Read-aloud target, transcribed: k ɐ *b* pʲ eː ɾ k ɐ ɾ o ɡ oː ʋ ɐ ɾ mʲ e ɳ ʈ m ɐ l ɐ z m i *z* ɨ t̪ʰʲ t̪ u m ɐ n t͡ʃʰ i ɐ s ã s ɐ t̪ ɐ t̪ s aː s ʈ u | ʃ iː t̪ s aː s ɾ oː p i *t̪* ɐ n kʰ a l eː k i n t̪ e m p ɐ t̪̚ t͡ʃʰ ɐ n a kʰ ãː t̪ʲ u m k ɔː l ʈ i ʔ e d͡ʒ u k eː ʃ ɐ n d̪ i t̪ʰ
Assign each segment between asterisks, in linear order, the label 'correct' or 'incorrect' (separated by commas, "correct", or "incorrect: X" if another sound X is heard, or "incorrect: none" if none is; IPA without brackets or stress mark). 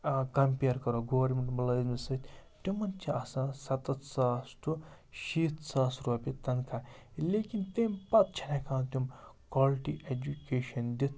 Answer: incorrect: m, incorrect: s, correct